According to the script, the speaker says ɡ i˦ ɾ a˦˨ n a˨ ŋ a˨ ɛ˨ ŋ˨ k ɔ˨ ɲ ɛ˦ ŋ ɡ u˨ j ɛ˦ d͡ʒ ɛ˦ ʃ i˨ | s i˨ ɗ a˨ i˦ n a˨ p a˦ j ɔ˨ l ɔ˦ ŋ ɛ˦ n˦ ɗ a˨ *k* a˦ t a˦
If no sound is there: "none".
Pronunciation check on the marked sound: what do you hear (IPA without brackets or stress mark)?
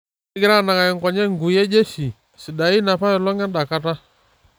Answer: k